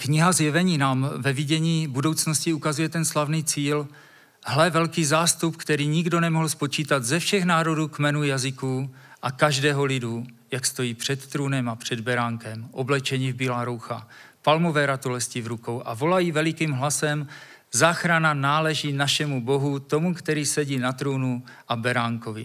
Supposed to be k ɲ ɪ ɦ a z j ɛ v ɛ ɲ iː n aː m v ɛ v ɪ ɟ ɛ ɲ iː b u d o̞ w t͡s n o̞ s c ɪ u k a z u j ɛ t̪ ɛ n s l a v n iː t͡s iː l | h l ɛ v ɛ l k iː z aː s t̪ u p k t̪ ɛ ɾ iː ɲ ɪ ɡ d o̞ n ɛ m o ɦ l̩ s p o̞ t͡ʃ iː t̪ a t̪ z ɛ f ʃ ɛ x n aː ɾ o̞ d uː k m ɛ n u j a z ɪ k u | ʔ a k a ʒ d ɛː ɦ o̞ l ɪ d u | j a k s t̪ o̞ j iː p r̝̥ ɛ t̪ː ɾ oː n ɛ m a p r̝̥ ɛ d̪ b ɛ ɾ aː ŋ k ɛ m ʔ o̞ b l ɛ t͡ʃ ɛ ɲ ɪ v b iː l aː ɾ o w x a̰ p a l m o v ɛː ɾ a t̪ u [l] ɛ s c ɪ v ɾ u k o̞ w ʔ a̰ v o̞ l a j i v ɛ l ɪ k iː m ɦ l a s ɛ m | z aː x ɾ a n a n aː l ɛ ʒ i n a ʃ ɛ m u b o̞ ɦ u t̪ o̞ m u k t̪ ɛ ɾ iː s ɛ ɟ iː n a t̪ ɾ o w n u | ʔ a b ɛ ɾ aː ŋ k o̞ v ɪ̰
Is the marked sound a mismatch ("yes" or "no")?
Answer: no